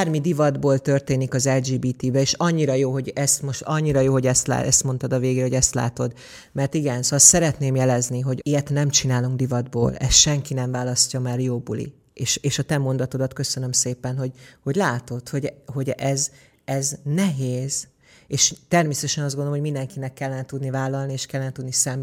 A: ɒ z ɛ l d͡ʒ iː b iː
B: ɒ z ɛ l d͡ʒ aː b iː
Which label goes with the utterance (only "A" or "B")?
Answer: A